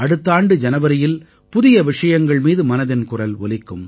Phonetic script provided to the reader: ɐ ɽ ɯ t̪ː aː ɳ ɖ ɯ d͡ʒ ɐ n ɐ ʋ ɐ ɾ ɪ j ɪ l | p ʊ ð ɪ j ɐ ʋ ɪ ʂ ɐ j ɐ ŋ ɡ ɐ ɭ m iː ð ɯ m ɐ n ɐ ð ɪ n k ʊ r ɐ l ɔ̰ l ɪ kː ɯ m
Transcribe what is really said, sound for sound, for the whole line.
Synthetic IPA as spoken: ɐ ɽ ɯ t̪ː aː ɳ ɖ ɯ d͡ʒ ɐ n ɐ ʋ ɐ ɾ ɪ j ɪ l | p ʊ ð ɪ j ɐ ʋ ɪ ʂ ɐ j ɐ ŋ ɡ ɐ ɭ m iː ð ɯ m ɐ n ɐ ð ɪ n k ʊ r ɐ l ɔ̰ l ɪ kː ɯ m